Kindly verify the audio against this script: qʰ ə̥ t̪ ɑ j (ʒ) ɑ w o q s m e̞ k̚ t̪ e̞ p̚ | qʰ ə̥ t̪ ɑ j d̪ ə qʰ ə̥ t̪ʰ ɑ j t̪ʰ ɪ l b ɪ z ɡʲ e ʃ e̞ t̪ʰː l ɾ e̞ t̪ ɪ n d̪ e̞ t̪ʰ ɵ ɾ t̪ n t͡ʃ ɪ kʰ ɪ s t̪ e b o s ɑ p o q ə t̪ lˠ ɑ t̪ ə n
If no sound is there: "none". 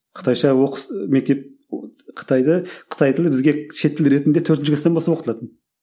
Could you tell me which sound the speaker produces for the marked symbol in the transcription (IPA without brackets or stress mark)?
ʃ